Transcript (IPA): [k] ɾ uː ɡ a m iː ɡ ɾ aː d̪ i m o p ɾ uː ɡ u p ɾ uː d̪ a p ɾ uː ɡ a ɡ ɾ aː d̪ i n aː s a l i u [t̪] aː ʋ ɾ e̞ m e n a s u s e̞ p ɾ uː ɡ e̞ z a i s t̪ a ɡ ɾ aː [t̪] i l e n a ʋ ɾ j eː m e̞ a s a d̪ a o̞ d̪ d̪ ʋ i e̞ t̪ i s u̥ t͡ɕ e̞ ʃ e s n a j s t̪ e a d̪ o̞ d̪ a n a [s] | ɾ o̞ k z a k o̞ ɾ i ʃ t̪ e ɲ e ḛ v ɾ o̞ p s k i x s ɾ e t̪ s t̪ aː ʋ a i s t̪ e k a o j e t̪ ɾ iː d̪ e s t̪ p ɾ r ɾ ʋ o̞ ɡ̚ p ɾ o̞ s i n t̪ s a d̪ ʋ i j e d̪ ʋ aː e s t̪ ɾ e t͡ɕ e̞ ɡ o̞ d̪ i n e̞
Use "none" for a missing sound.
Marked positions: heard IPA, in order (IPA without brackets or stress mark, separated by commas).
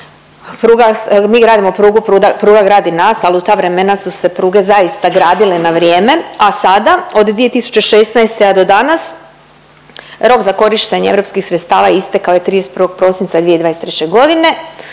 p, t̪, d̪, s